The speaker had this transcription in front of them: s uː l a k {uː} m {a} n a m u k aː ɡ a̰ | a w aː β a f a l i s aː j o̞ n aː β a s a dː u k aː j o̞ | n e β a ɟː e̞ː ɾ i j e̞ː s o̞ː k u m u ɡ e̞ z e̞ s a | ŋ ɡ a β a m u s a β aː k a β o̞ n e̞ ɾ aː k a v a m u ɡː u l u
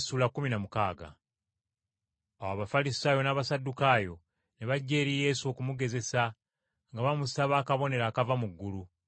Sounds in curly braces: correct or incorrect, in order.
incorrect: u, incorrect: i

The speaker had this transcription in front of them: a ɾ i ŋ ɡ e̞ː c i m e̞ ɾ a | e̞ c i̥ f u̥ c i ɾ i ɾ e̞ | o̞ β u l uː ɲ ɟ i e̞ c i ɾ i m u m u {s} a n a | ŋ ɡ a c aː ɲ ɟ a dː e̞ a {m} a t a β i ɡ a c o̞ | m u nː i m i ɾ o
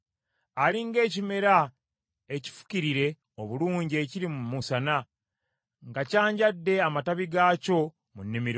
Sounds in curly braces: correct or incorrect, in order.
correct, correct

